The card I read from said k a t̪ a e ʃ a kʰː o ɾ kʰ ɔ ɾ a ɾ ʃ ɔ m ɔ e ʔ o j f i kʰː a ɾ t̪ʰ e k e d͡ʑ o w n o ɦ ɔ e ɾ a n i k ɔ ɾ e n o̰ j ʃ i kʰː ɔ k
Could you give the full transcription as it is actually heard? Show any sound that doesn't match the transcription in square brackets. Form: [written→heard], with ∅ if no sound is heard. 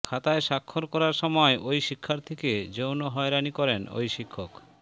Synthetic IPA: [k→kʰ] a t̪ a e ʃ a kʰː o ɾ [kʰ→k] ɔ ɾ a ɾ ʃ ɔ m ɔ e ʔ o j [f→ʃ] i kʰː a ɾ t̪ʰ e k e d͡ʑ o w n o ɦ ɔ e ɾ a n i k ɔ ɾ e n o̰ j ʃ i kʰː [ɔ→o] k